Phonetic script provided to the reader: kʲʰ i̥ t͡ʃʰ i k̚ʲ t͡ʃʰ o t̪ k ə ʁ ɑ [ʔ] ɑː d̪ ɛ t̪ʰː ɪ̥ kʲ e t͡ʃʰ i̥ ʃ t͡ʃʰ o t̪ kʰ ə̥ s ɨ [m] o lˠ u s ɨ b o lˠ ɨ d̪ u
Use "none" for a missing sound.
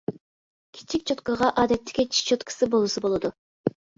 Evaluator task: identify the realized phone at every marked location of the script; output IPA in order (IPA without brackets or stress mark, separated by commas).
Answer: ʔ, b